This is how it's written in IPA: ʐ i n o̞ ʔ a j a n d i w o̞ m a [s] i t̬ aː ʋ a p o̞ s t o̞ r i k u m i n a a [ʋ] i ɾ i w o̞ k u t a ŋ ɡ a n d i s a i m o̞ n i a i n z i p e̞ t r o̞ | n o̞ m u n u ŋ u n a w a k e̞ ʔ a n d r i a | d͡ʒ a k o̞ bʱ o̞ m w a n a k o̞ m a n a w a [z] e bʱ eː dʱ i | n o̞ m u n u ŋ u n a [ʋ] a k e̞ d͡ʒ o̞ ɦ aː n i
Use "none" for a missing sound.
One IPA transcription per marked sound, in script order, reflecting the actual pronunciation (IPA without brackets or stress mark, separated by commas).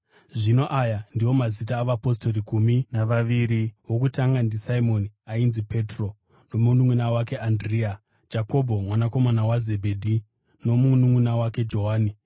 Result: z, ʋ, z, w